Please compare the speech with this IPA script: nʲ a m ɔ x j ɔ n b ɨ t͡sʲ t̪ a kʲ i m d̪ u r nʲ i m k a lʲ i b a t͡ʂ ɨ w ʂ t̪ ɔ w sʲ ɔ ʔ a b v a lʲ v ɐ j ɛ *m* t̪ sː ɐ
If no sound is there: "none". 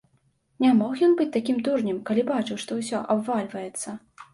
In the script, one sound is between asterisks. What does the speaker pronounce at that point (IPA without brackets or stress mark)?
none